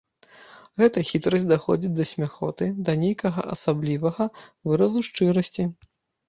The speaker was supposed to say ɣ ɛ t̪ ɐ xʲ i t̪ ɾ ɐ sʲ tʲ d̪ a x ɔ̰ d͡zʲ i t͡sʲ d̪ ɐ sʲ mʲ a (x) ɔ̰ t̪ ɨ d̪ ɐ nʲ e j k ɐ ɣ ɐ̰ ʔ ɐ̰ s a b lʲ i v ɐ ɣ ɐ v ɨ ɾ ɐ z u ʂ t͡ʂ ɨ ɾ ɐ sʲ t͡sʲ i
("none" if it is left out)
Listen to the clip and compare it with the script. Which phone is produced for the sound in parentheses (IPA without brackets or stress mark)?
x